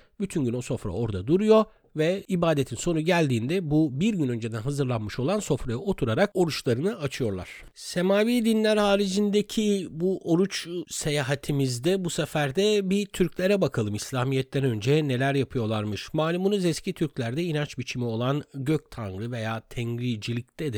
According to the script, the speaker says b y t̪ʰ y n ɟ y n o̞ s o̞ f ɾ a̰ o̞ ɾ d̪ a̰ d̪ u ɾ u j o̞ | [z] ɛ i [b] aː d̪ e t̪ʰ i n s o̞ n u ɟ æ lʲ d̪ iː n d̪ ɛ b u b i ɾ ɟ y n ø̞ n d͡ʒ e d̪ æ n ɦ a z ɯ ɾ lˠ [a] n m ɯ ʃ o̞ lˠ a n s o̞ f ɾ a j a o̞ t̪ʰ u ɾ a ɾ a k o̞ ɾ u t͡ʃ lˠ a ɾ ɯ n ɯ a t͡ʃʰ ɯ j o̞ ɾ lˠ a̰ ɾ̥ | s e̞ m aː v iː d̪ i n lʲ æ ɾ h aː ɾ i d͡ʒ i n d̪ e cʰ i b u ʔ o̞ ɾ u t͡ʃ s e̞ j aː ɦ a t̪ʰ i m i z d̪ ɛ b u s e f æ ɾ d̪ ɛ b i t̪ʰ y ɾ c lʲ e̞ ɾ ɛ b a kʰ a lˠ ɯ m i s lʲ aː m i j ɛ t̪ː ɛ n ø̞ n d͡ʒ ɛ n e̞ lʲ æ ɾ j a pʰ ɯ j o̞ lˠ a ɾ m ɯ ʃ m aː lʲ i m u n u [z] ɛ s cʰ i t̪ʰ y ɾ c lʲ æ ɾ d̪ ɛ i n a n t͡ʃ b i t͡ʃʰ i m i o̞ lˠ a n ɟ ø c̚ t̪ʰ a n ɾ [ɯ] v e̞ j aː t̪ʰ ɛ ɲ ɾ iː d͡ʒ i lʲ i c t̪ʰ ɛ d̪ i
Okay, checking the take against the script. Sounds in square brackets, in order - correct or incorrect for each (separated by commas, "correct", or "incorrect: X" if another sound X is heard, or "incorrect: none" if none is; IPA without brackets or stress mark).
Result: incorrect: v, correct, correct, correct, correct